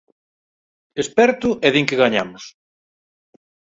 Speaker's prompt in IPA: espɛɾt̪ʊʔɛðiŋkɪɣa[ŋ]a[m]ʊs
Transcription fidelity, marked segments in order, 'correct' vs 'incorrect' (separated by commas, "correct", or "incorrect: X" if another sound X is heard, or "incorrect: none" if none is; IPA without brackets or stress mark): incorrect: ɲ, correct